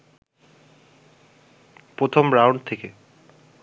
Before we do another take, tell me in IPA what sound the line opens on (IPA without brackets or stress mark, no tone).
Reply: p